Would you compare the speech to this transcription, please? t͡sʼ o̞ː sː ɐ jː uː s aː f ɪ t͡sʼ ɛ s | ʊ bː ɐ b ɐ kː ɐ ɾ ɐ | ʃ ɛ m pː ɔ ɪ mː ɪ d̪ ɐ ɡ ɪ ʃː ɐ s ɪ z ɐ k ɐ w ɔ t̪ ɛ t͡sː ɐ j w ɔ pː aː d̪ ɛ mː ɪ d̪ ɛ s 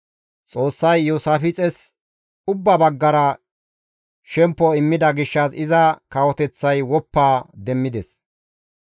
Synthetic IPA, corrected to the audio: t͡sʼ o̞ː sː ɐ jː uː s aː f ɪ t͡sʼ ɛ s | ʊ bː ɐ b ɐ ɡː ɐ ɾ ɐ | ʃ ɛ m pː ɔ ɪ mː ɪ d̪ ɐ ɡ ɪ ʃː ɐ s ɪ z ɐ k ɐ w ɔ t̪ ɛ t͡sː ɐ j w ɔ pː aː d̪ ɛ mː ɪ d̪ ɛ s